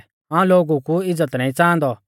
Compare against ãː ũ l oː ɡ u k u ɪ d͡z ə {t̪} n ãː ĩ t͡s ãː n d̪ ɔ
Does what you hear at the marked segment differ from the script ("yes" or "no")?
no